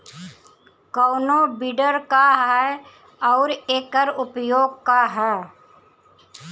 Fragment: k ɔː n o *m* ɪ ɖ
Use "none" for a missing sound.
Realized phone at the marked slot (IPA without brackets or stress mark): b